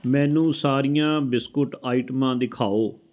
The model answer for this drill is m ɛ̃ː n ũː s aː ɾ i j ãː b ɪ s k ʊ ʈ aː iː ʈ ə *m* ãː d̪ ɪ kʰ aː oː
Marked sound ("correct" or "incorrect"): correct